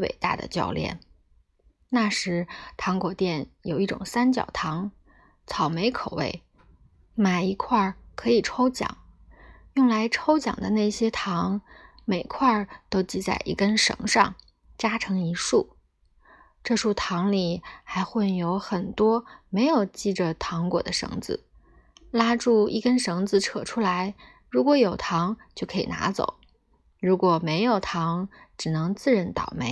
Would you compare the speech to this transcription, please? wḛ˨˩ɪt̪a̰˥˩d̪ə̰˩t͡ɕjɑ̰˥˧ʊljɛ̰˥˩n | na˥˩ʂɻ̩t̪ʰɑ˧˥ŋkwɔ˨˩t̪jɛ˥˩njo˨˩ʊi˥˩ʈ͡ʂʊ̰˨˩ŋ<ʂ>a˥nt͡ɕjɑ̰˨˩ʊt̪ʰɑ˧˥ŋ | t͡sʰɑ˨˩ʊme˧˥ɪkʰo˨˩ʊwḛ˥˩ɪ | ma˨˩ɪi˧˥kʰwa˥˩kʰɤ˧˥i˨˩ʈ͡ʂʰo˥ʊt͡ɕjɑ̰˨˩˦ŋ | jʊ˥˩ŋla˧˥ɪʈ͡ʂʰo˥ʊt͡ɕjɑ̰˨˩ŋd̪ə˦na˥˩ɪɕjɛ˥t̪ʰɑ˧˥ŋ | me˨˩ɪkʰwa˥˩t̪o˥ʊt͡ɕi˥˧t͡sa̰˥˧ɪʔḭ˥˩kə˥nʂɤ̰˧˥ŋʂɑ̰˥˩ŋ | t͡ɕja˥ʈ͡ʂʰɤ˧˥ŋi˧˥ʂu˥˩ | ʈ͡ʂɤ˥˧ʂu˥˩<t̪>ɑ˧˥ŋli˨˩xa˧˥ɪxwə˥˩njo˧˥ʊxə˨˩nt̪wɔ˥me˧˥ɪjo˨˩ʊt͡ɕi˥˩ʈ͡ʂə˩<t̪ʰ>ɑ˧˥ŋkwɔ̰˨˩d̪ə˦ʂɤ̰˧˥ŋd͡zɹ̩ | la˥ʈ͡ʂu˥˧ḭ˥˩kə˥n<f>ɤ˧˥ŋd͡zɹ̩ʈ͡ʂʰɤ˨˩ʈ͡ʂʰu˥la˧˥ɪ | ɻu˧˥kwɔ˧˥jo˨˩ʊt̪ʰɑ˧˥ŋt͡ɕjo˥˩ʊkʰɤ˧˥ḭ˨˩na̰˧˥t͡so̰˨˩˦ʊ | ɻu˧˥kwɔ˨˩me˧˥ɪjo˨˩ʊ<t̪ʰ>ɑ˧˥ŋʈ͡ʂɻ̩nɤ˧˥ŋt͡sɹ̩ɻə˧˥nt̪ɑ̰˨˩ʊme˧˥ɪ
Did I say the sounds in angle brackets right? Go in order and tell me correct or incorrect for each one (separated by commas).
incorrect, incorrect, correct, incorrect, correct